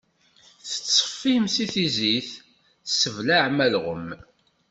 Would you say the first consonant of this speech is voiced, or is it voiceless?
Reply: voiceless